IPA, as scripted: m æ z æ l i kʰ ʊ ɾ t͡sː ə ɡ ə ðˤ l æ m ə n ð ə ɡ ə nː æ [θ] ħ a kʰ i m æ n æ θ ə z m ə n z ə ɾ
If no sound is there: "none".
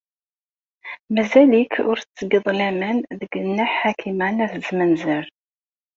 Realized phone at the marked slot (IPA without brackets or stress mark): ħ